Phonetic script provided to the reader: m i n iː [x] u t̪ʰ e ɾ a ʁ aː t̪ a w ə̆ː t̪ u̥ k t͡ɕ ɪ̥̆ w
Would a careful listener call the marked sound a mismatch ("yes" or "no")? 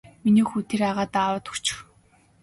no